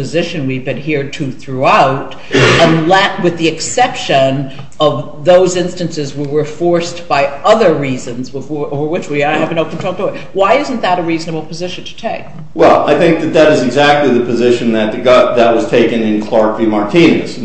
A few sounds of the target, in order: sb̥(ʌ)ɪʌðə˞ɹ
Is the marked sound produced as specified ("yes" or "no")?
no